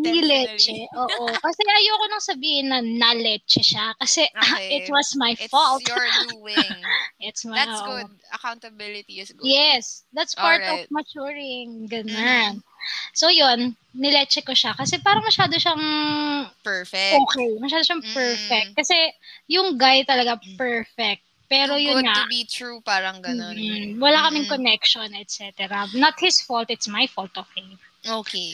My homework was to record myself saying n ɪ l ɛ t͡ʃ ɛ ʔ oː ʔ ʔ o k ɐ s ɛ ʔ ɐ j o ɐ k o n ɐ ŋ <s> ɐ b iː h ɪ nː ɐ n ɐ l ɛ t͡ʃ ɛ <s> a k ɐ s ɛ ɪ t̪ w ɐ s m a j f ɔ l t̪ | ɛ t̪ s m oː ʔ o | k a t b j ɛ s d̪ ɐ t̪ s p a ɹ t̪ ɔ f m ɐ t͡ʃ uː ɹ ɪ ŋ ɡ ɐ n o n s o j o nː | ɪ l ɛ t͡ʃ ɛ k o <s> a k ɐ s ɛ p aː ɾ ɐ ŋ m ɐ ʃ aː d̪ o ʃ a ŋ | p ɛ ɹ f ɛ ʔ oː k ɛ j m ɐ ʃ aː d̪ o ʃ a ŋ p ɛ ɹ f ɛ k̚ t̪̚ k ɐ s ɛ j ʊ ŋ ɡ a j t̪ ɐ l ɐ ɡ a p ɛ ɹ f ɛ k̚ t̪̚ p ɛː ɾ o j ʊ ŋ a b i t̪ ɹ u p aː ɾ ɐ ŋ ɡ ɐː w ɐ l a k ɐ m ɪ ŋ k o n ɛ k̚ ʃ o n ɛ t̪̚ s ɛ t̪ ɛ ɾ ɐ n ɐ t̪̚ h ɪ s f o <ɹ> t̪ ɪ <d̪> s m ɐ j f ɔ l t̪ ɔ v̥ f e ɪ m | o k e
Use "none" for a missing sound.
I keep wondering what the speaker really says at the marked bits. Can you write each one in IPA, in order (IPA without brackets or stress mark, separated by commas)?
s, ʃ, ʃ, l, t̪